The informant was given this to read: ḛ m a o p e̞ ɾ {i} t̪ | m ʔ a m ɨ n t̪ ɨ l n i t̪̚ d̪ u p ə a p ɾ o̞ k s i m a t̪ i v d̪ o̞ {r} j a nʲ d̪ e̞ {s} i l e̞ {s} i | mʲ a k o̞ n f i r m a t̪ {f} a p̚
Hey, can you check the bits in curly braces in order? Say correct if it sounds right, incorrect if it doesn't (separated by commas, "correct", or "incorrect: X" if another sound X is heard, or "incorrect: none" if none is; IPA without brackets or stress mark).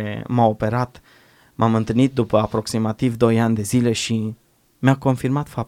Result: incorrect: a, incorrect: none, incorrect: z, incorrect: ʃ, correct